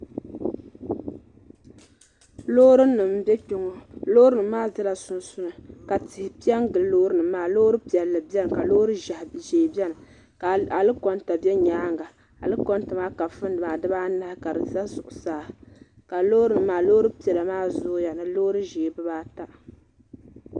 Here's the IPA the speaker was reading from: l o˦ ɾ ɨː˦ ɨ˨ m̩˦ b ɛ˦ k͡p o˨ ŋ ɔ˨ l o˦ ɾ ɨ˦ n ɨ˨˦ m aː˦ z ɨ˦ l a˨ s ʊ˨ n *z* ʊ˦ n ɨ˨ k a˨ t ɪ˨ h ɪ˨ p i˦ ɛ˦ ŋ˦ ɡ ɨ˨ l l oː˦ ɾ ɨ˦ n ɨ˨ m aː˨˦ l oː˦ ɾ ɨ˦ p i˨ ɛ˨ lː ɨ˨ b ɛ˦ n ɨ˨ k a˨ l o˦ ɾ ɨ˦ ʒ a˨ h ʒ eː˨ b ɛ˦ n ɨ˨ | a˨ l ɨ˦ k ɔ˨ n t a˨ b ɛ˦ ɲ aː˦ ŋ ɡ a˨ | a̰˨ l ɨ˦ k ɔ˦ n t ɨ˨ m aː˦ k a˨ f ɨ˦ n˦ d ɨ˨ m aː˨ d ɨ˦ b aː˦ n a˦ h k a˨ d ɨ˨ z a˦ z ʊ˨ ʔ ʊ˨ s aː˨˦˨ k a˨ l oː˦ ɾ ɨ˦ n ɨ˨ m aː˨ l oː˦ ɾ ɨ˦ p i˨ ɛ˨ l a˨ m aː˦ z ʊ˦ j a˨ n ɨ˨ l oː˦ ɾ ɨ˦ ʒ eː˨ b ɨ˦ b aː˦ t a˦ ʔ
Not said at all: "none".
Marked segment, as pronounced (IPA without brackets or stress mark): s